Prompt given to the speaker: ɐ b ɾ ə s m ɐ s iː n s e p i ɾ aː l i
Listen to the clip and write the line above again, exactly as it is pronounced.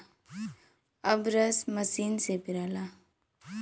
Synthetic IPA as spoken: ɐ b ɾ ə s m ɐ s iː n s e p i ɾ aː l a